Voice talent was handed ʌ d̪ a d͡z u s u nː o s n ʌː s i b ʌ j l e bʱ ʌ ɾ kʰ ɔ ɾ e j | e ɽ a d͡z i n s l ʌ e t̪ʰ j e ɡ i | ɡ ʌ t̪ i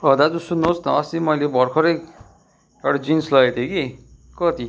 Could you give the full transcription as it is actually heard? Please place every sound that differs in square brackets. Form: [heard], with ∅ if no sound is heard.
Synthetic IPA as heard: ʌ d̪ a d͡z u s u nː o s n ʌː s i [m] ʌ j l e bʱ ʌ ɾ kʰ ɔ ɾ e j | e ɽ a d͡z i n s l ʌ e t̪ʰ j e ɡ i | [k] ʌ t̪ i